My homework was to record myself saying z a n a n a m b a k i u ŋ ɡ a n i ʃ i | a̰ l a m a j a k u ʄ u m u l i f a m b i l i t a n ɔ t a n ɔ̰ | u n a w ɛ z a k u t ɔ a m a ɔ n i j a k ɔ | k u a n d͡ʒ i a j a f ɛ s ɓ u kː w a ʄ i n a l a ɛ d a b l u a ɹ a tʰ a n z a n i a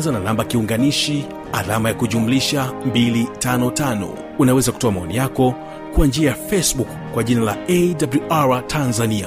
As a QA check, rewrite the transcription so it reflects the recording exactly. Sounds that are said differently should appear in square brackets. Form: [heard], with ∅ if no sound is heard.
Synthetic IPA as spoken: z a n a n a m b a k i u ŋ ɡ a n i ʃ i | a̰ l a m a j a k u ʄ u m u l i [ʃ] a m b i l i t a n ɔ t a n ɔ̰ | u n a w ɛ z a k u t ɔ a m a ɔ n i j a k ɔ | k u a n d͡ʒ i a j a f ɛ s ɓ u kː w a ʄ i n a l a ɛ d a b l u a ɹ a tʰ a n z a n i a